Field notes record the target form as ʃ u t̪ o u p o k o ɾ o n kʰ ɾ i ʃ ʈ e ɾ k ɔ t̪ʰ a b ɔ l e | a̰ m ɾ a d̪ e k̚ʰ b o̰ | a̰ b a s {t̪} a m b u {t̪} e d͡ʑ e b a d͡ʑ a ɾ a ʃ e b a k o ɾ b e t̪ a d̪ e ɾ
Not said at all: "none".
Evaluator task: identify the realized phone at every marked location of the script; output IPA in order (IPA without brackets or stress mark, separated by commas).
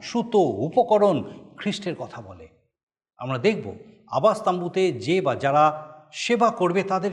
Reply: t̪, t̪